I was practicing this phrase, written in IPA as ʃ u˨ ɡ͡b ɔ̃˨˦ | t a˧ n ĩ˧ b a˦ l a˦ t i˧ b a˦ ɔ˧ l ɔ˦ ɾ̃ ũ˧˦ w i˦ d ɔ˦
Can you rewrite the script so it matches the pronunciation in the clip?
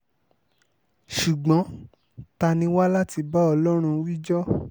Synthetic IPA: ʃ u˨ ɡ͡b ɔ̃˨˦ | t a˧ n ĩ˧ w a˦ l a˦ t i˧ b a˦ ɔ˧ l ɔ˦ ɾ̃ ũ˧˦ w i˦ d͡ʒ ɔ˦